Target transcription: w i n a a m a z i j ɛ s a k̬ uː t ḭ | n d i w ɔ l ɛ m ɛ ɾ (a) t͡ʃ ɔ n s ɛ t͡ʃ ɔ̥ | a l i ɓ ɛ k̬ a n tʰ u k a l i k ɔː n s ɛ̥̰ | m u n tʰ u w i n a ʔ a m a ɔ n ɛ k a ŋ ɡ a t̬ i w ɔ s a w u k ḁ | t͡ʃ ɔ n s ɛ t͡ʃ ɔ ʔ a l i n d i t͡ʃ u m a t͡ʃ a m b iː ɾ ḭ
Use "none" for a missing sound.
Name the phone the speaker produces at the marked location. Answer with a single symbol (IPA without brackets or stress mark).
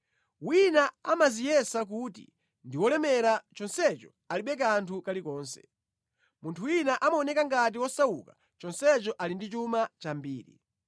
a